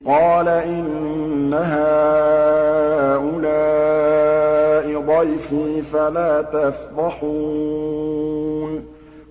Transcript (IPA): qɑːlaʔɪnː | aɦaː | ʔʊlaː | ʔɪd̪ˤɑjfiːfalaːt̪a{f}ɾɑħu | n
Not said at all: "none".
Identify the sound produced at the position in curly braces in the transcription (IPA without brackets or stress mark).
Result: f